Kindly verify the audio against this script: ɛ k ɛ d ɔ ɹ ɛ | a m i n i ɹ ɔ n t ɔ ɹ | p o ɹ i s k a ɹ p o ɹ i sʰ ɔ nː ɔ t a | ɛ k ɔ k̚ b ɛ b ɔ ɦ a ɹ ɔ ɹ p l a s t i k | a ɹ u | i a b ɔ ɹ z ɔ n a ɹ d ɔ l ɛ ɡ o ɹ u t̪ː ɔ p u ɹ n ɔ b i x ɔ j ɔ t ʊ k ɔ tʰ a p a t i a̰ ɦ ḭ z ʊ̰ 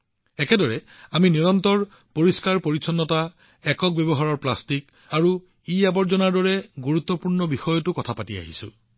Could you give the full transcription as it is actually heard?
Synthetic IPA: ɛ k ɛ d ɔ ɹ ɛ | a m i n i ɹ ɔ n t ɔ ɹ | p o ɹ i s k a ɹ p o ɹ i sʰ ɔ nː ɔ t a | ɛ k ɔ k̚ b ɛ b ɔ ɦ a ɹ ɔ ɹ p l a s t i k | a ɹ u | i a b ɔ ɹ z ɔ n a ɹ d ɔ ɹ ɛ ɡ u ɹ u t̪ː ɔ p u ɹ n ɔ b i x ɔ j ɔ t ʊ k ɔ tʰ a p a t i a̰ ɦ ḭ s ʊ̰

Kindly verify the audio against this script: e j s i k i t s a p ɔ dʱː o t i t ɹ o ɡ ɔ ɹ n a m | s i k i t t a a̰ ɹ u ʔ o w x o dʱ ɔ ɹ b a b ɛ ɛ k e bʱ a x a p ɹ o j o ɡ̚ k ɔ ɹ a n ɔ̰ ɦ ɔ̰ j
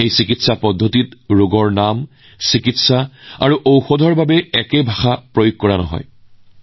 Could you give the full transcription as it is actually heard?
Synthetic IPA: e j s i k i t s a p ɔ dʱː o t i t ɹ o ɡ ɔ ɹ n a m | s i k i t s a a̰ ɹ u ʔ o w x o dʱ ɔ ɹ b a b ɛ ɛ k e bʱ a x a p ɹ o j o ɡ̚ k ɔ ɹ a n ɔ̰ ɦ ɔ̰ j

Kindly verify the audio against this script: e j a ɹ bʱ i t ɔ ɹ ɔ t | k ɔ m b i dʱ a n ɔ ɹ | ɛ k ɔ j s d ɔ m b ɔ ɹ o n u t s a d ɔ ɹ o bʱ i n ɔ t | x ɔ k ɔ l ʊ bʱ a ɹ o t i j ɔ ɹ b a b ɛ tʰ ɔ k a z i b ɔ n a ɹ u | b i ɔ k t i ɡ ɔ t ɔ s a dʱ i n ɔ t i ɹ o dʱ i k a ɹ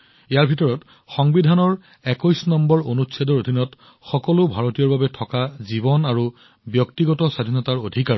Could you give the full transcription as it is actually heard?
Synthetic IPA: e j a ɹ bʱ i t ɔ ɹ ɔ t | x ɔ ŋ b i dʱ a n ɔ ɹ | ɛ k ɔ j s n ɔ m b ɔ ɹ o n u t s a d ɔ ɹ o dʱ i n ɔ t | x ɔ k ɔ l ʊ bʱ a ɹ o t i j ɔ ɹ b a b ɛ tʰ ɔ k a z i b ɔ n a ɹ u | b j ɔ k t i ɡ ɔ t ɔ s a dʱ i n ɔ t a ɹ o dʱ i k a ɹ

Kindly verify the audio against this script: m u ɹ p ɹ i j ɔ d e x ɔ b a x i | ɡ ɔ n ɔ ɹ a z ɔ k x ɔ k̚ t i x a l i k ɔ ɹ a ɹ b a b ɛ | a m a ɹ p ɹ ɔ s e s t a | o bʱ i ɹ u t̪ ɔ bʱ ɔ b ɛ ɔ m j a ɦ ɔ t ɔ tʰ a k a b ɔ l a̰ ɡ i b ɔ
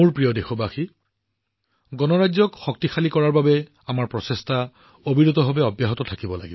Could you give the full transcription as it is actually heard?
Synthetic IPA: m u ɹ p ɹ i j ɔ d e x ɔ b a x i | ɡ ɔ n ɔ ɹ a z ɔ k x ɔ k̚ t i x a l i k ɔ ɹ a ɹ b a b ɛ | a m a ɹ p ɹ ɔ s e s t a | o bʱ i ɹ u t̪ ɔ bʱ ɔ b ɛ ɔ b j a ɦ ɔ t ɔ tʰ a k i b ɔ l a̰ ɡ i b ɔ

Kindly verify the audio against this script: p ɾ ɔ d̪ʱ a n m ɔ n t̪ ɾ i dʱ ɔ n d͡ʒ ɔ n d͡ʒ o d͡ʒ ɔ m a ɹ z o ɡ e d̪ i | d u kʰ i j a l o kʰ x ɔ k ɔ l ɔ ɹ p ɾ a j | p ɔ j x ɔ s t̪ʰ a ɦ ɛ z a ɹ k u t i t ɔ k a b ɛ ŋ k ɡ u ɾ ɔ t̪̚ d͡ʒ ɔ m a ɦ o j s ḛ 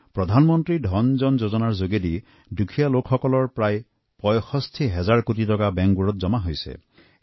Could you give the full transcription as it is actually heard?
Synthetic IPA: p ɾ ɔ d̪ʱ a n m ɔ n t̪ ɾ i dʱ ɔ n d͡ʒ ɔ n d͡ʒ o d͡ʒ ɔ n a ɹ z o ɡ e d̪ i | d u kʰ i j a l o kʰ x ɔ k ɔ l ɔ ɹ p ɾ a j | p ɔ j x ɔ s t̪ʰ i ɦ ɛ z a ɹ k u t i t ɔ k a b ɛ ŋ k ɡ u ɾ ɔ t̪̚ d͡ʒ ɔ m a ɦ o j s ḛ

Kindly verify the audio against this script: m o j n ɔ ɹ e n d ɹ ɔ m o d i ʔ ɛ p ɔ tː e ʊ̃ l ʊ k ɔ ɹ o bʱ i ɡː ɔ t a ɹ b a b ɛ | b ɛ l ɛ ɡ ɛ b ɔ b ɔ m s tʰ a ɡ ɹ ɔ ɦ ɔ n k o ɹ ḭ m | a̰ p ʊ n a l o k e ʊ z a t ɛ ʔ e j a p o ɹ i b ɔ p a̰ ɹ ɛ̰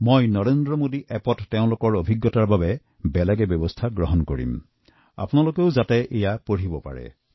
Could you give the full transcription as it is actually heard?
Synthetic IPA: m o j n ɔ ɹ e n d ɹ ɔ m o d i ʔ ɛ p ɔ tː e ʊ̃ l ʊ k ɔ ɹ o bʱ i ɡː ɔ t a ɹ b a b ɛ | b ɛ l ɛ ɡ ɛ b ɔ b ɔ s tʰ a ɡ ɹ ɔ ɦ ɔ n k o ɹ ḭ m | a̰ p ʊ n a l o k e ʊ z a t ɛ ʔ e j a p o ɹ i b ɔ p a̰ ɹ ɛ̰

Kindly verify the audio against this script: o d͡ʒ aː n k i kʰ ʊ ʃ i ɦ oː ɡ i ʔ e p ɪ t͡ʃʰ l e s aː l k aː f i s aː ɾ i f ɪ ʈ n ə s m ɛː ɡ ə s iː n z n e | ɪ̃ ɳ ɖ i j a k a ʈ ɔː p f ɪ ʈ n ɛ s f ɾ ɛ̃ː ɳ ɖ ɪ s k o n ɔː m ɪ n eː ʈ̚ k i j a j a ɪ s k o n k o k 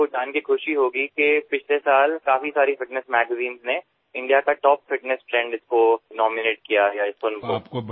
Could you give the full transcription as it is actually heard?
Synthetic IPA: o d͡ʒ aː n k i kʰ ʊ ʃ i ɦ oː ɡ i k e p ɪ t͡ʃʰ l e s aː l k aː f i s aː ɾ i f ɪ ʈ n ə s m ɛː ɡ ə z iː n z n e | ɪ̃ ɳ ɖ i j a k a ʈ ɔː p f ɪ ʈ n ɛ s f ɾ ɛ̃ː ɳ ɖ ɪ s k o n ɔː m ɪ n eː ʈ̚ k i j a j a ɪ s k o n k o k

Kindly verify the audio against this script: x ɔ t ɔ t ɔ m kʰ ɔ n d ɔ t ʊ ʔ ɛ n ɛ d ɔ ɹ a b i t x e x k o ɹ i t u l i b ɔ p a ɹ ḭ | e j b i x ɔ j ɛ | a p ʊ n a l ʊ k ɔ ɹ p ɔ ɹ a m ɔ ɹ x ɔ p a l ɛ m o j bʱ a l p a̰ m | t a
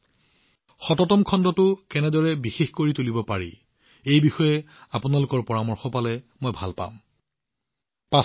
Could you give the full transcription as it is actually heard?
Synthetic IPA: x ɔ t ɔ t ɔ m kʰ ɔ n d ɔ t ʊ k ɛ n ɛ d ɔ ɹ ɛ b i x e x k o ɹ i t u l i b ɔ p a ɹ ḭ | e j b i x ɔ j ɛ | a p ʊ n a l ʊ k ɔ ɹ p ɔ ɹ a m ɔ ɹ x ɔ p a l ɛ m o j bʱ a l p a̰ m | p a

